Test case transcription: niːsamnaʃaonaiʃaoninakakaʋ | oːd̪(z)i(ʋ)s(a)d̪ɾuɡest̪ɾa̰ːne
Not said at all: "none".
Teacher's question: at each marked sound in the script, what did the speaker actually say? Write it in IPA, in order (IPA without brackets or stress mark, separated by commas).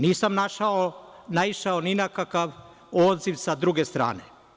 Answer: z, ʋ, a